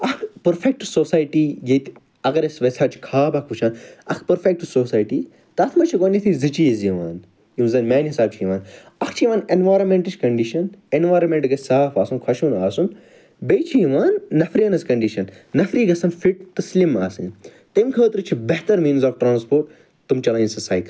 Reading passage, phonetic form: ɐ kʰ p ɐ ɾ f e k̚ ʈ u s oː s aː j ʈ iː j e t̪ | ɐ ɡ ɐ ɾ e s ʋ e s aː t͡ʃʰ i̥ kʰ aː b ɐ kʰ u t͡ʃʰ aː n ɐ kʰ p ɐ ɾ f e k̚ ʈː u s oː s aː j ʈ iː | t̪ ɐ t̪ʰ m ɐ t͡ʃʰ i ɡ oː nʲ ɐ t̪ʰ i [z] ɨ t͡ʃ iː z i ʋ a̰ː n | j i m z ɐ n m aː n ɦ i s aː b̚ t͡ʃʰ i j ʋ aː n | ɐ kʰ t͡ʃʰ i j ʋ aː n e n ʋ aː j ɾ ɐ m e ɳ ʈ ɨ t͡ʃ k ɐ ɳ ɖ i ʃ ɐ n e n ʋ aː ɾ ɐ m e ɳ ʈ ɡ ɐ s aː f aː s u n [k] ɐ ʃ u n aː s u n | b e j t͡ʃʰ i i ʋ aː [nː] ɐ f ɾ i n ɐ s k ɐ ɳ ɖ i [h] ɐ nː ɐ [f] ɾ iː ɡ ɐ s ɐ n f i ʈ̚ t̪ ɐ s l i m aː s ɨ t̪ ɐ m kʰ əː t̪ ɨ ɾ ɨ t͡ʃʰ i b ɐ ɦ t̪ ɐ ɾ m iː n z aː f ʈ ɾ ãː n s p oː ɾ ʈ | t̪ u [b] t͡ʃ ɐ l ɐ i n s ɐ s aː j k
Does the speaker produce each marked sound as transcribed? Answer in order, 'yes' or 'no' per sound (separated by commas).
yes, no, yes, no, yes, no